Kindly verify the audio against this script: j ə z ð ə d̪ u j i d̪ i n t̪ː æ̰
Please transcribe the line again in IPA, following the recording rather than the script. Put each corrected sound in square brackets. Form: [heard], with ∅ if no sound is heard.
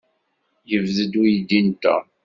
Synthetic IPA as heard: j ə [v] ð ə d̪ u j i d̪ i n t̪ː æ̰